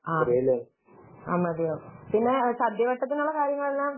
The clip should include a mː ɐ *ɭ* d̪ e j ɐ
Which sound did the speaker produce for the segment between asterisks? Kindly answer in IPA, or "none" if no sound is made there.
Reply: none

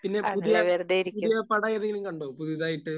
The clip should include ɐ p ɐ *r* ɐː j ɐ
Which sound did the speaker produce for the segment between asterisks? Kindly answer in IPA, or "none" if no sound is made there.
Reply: ɽ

